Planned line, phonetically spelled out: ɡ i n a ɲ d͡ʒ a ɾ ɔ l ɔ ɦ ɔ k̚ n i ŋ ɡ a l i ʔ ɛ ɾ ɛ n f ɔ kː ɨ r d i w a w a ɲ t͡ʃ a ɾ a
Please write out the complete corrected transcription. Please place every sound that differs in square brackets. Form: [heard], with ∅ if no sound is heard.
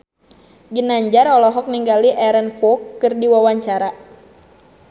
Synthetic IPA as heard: ɡ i n a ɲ d͡ʒ a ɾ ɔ l ɔ ɦ ɔ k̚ n i ŋ ɡ a l i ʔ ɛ ɾ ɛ n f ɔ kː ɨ r d i w a w a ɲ t͡ʃ a ɾ a